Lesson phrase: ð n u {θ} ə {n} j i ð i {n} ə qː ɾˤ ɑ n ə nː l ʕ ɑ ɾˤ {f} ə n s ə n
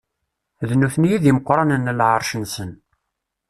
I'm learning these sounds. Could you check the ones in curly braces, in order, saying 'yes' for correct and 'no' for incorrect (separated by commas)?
yes, yes, no, no